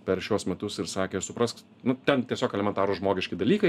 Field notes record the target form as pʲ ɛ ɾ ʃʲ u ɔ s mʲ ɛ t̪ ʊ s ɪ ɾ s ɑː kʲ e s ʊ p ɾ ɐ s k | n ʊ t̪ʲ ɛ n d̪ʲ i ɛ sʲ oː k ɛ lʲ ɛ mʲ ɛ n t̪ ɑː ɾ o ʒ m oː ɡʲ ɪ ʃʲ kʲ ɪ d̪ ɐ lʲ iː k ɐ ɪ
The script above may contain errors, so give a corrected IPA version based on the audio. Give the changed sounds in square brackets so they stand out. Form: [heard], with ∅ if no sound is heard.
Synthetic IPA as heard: pʲ ɛ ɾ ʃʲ u ɔ s mʲ ɛ t̪ ʊ s ɪ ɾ s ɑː kʲ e s ʊ p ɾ ɐ s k | n ʊ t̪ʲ ɛ n [t̪ʲ] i ɛ sʲ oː k ɛ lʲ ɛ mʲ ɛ n t̪ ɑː ɾ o ʒ m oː ɡʲ ɪ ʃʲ kʲ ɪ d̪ ɐ lʲ iː k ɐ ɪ